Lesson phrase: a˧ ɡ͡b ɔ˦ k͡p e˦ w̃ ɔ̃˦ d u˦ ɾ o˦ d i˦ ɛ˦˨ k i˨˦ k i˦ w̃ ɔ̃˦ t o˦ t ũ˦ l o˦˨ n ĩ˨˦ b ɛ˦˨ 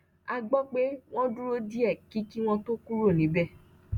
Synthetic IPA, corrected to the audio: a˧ ɡ͡b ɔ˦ k͡p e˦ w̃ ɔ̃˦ d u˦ ɾ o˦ d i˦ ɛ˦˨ k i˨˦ k i˦ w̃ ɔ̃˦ t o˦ k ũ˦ ɾ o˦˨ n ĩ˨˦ b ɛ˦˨